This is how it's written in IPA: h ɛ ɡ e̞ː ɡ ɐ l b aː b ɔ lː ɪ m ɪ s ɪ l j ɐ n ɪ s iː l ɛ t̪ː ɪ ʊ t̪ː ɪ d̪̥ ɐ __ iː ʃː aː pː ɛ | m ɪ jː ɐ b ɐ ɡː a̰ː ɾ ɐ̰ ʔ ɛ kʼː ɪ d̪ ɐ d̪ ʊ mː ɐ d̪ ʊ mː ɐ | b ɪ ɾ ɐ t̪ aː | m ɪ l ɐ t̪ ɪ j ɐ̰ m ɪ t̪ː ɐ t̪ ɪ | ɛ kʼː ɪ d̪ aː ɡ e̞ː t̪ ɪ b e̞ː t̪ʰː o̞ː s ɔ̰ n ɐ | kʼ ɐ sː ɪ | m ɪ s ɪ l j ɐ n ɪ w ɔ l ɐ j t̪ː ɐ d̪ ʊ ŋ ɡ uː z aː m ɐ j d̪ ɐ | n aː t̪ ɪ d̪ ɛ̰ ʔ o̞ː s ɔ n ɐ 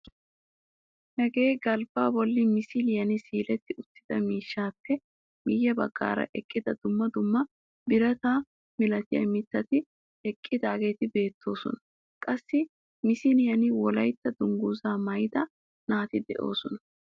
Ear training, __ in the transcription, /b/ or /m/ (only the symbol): m